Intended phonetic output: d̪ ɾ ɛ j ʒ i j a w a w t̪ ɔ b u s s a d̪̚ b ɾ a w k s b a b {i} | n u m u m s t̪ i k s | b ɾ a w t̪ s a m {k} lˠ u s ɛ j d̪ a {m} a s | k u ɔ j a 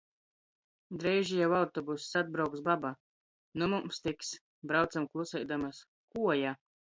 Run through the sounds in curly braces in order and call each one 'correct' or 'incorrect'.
incorrect: a, correct, correct

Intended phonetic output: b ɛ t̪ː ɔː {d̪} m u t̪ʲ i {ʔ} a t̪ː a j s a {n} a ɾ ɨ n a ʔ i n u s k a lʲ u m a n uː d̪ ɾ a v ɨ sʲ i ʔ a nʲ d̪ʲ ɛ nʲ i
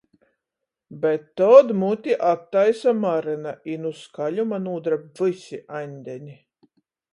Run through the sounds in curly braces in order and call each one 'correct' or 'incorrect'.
correct, correct, incorrect: m

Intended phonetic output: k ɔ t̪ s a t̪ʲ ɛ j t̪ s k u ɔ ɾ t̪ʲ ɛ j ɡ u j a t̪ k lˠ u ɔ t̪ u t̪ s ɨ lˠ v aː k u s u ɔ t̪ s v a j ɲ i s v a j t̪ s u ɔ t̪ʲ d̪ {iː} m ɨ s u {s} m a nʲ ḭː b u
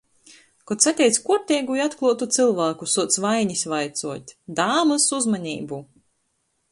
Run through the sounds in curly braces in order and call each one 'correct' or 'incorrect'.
incorrect: aː, incorrect: z

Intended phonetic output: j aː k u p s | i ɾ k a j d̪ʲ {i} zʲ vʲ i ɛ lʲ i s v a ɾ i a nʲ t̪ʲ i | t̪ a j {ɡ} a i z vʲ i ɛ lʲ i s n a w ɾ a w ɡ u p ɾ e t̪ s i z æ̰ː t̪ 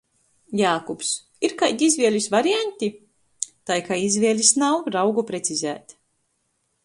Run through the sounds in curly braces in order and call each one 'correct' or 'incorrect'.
correct, incorrect: k

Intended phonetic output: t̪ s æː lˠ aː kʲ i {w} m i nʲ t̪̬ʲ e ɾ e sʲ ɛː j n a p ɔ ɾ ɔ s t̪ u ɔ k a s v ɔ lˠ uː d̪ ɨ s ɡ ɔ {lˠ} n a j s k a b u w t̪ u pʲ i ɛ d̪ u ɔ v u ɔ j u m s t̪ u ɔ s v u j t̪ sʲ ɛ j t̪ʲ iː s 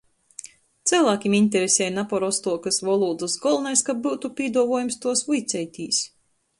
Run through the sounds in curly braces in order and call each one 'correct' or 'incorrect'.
incorrect: none, correct

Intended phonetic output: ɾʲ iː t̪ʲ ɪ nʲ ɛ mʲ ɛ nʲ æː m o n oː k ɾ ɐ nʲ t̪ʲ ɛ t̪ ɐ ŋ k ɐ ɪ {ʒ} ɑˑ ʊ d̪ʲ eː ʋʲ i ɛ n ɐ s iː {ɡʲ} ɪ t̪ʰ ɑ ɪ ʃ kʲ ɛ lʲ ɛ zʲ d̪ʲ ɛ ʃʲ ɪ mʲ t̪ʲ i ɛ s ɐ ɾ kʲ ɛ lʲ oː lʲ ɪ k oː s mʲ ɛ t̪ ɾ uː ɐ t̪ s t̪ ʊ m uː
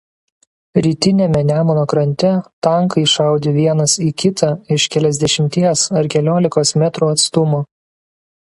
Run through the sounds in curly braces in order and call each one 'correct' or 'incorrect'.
incorrect: ʃ, incorrect: kʲ

